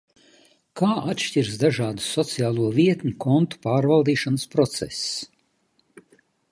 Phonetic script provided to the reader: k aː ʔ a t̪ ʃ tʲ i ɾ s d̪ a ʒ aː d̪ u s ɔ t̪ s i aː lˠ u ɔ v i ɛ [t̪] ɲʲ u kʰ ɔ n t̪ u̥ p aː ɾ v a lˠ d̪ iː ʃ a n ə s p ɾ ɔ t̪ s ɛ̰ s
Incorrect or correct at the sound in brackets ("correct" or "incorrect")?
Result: correct